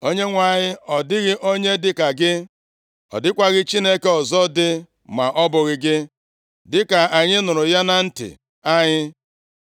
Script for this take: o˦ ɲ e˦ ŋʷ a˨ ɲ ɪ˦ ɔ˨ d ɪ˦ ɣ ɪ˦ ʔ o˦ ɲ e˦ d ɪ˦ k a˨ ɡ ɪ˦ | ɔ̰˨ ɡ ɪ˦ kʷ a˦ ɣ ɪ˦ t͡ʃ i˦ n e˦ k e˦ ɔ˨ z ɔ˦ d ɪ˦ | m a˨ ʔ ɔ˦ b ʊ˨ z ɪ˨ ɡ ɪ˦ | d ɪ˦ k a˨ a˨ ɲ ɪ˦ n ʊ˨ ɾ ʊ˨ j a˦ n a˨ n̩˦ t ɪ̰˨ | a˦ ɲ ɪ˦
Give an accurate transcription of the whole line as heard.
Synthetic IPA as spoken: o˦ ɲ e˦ ŋʷ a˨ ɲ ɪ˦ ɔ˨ d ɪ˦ ɣ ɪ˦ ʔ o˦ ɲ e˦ d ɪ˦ k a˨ ɡ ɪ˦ | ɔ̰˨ d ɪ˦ kʷ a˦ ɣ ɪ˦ t͡ʃ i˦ n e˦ k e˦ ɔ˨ z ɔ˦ d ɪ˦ | m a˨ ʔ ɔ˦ b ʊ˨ ɣ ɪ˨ ɡ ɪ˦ | d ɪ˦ k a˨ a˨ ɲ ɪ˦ n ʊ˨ ɾ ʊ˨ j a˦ n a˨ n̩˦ t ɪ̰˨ | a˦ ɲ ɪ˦